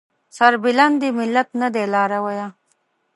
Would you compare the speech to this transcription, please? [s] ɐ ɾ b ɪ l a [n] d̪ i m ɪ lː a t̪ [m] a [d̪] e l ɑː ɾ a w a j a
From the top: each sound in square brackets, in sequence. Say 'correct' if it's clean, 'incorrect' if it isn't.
correct, correct, incorrect, correct

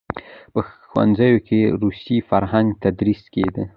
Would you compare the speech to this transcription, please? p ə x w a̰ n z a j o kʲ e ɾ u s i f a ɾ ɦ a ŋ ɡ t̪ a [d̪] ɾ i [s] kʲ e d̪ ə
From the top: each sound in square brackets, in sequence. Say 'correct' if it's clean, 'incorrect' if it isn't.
correct, correct

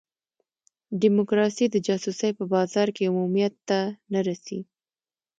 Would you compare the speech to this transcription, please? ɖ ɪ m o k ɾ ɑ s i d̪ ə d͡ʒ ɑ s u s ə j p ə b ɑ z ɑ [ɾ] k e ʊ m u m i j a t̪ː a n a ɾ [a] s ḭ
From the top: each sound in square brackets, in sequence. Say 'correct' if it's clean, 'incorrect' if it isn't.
correct, correct

